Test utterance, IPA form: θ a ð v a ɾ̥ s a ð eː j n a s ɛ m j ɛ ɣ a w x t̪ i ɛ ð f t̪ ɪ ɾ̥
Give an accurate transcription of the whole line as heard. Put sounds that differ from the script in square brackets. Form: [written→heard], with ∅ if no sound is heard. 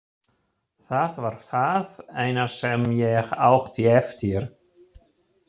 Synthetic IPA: θ a ð v a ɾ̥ [s→θ] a ð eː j n a s ɛ m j ɛ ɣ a w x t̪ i ɛ [ð→∅] f t̪ ɪ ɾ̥